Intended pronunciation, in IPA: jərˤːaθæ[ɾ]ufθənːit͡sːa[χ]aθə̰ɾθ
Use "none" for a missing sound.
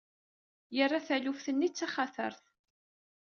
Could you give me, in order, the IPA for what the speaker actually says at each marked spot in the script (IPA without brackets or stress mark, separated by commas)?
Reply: l, χ